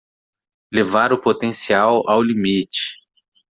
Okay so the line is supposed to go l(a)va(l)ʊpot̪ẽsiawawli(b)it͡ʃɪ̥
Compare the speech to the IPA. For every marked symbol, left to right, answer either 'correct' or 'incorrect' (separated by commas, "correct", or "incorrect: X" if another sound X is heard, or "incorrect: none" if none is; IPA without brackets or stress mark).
incorrect: e, incorrect: ɾ, incorrect: m